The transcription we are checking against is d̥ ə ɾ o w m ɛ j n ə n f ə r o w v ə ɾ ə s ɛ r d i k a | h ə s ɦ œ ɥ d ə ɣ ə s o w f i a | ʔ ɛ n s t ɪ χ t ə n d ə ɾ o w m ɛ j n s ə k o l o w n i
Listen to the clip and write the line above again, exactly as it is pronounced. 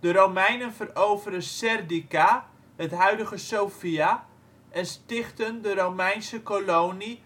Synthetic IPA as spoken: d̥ ə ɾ o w m ɛ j n ə n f ə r o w v ə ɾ ə s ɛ r d i k a | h ə t ɦ œ ɥ d ə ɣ ə s o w f i a | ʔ ɛ n s t ɪ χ t ə n d ə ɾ o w m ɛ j n s ə k o l o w n i